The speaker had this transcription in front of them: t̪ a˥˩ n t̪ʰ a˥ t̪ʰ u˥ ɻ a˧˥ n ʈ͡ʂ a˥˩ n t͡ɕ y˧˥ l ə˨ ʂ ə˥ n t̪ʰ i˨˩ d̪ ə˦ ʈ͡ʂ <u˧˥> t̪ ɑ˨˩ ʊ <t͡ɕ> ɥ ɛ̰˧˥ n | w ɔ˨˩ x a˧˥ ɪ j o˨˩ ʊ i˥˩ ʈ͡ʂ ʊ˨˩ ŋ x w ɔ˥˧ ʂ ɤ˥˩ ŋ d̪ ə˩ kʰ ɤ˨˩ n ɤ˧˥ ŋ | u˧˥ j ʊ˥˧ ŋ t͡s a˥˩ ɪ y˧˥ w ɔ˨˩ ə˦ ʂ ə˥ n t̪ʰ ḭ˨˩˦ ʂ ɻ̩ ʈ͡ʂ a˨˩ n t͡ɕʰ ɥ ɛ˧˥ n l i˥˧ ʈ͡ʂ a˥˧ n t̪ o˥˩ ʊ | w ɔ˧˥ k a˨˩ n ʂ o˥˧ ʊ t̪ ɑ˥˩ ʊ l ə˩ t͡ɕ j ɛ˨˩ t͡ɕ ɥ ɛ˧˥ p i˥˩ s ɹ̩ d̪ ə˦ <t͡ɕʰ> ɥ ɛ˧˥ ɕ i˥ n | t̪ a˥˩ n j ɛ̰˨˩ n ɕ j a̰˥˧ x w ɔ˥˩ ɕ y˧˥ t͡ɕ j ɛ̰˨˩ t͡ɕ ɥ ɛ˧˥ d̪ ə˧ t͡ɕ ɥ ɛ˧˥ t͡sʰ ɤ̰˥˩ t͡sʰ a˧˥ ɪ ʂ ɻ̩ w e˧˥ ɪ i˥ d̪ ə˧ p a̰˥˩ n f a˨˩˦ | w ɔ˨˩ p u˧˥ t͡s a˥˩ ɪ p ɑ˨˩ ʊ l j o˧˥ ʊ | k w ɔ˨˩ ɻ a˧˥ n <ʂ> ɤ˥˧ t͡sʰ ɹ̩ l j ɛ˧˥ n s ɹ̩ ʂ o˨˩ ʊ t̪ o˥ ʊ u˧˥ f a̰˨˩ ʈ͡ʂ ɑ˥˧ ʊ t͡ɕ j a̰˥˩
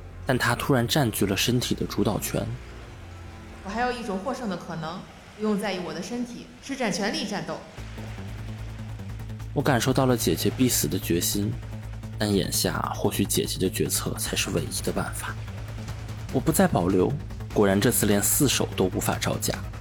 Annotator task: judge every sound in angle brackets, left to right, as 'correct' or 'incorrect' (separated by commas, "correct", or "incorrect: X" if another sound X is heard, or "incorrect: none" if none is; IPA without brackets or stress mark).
correct, incorrect: t͡ɕʰ, incorrect: t͡ɕ, incorrect: ʈ͡ʂ